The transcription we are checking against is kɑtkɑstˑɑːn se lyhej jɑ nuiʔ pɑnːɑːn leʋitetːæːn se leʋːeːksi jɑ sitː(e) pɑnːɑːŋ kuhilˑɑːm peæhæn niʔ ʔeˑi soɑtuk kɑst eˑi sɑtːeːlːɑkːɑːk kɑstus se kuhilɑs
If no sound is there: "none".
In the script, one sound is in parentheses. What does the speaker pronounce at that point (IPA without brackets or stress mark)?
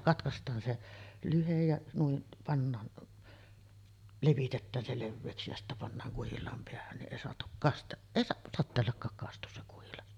æ